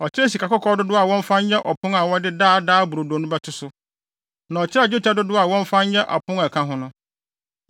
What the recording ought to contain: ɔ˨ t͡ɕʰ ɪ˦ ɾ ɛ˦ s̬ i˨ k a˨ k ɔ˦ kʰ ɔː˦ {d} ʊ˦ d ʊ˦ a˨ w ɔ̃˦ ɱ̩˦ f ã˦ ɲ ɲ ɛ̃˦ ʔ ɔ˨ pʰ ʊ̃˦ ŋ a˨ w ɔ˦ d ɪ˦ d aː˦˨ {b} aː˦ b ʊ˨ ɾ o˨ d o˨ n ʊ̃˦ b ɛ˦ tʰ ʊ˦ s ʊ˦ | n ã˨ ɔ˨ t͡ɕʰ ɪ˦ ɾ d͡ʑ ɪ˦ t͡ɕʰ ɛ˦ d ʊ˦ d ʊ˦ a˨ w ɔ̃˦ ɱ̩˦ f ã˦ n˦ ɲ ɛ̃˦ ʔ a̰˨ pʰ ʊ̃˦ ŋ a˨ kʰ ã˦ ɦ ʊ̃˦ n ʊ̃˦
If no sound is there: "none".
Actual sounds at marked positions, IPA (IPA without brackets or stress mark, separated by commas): d, d